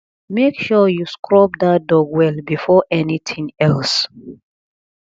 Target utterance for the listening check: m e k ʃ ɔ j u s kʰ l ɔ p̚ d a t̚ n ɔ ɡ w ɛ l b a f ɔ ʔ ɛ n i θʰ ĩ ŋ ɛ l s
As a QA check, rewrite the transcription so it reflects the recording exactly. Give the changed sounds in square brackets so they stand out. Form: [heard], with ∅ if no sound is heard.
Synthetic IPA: m e k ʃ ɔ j u s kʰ [ɹ] ɔ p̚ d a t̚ [d] ɔ ɡ w ɛ l b [i] f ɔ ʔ ɛ n i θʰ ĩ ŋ ɛ l s